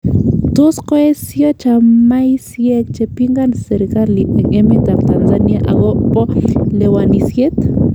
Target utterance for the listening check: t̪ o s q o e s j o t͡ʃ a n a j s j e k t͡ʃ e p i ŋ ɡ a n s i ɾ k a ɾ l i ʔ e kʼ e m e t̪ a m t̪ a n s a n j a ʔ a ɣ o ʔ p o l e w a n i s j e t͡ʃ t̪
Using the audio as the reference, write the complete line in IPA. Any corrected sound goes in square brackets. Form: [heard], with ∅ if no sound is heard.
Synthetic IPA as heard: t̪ o s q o e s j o t͡ʃ a [m] a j s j e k t͡ʃ e p i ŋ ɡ a n s [e] ɾ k a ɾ l i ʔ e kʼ e m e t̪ a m t̪ a n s a n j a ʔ a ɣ o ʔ p o l e w a n i s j e [∅] t̪